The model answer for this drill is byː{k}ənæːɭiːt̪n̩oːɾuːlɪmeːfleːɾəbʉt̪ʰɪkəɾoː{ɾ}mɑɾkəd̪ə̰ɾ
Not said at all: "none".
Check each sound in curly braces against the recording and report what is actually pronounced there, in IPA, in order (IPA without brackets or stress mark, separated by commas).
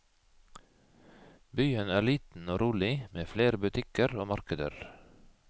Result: none, none